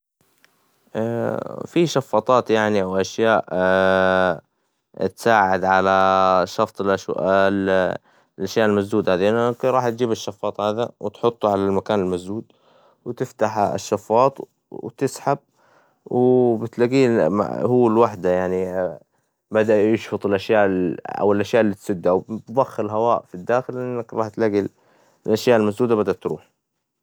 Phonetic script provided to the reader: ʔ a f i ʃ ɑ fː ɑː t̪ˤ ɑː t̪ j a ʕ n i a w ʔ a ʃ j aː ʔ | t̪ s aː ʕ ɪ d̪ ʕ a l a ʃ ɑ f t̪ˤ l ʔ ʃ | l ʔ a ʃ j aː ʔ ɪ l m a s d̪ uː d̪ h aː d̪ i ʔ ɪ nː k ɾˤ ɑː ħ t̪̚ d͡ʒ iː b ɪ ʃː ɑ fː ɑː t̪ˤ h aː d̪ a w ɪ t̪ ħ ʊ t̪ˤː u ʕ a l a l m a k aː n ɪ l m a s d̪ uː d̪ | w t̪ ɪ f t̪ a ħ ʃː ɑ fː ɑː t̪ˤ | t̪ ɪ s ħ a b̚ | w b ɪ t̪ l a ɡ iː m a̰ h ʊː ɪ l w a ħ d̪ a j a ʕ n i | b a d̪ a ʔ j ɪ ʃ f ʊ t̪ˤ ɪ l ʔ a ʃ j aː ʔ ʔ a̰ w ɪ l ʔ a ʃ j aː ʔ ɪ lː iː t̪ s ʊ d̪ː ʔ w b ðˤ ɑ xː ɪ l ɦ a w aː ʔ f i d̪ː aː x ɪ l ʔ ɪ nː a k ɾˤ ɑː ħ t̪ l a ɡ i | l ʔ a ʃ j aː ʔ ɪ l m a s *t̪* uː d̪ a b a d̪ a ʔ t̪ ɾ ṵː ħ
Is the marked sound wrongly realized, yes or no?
yes